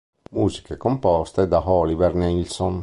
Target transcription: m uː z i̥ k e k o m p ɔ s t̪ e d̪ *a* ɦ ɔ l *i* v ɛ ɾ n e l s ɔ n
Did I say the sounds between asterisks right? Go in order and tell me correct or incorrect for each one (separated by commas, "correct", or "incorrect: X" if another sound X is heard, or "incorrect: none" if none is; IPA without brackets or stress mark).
correct, correct